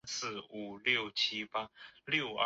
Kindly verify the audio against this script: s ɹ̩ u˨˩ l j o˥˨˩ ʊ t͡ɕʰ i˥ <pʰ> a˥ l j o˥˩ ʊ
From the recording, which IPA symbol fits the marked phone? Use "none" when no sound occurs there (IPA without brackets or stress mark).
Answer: p